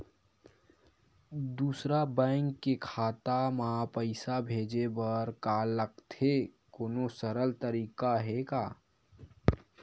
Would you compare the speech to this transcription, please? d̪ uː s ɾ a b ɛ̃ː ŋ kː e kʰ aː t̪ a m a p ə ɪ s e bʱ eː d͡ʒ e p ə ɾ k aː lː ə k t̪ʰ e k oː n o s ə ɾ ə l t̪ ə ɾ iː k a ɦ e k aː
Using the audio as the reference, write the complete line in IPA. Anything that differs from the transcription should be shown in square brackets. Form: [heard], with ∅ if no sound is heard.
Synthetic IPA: d̪ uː s ɾ a b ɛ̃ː ŋ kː e kʰ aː t̪ a m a p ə ɪ s [a] bʱ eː d͡ʒ e [b] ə ɾ k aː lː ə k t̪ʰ e k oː n o s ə ɾ ə l t̪ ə ɾ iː k a ɦ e k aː